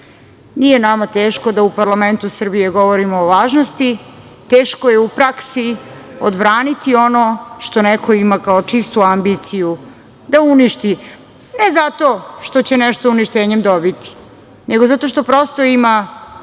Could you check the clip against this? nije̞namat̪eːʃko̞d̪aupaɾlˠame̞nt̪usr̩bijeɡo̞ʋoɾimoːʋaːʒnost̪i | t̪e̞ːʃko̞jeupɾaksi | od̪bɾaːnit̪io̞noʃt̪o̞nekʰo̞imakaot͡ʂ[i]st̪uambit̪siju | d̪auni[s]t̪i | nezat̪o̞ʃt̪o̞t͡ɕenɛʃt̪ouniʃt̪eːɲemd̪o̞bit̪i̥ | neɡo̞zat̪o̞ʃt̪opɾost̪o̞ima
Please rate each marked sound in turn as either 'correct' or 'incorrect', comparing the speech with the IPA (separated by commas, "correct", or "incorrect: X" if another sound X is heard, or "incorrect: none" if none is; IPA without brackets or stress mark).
correct, incorrect: ʃ